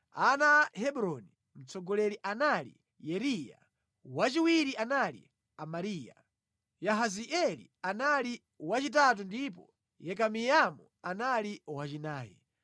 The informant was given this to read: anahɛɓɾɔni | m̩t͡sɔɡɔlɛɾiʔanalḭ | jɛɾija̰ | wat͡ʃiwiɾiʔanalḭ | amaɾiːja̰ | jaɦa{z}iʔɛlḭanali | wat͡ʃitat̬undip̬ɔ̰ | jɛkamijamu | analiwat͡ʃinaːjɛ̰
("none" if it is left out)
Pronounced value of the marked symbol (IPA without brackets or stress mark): z